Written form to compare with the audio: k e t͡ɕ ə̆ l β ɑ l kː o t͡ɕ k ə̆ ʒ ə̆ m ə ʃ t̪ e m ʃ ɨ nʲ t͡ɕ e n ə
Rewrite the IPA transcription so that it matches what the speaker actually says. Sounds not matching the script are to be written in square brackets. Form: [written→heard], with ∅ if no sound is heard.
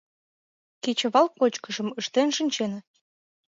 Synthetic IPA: k e t͡ɕ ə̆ [l→∅] β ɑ l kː o t͡ɕ k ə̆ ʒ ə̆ m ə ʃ t̪ e [m→n] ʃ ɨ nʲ t͡ɕ e n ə